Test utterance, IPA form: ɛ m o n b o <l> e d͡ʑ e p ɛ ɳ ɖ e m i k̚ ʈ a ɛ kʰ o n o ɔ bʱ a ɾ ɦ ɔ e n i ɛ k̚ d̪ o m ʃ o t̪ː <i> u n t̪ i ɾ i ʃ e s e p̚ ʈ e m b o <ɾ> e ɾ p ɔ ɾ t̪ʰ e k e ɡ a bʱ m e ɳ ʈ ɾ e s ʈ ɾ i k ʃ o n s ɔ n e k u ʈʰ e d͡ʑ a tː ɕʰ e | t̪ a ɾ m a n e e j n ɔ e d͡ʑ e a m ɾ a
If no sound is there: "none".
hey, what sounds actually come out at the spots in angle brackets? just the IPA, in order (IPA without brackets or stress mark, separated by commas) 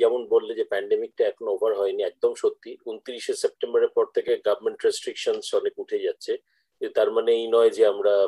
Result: lː, i, ɾ